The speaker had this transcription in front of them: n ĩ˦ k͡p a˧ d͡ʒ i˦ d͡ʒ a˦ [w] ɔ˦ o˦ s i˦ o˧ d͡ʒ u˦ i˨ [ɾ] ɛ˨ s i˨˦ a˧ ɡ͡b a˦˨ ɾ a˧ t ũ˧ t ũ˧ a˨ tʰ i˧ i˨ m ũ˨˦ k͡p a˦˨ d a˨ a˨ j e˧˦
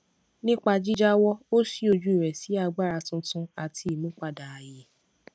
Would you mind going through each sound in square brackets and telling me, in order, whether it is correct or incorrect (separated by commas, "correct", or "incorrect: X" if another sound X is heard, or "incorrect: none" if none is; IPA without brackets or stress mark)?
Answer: correct, correct